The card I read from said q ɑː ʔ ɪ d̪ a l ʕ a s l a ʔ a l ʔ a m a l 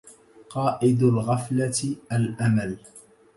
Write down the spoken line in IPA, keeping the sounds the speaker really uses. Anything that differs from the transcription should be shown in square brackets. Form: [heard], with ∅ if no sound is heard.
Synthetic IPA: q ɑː ʔ ɪ d̪ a l [ɣ] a [f] l a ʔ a l ʔ a m a l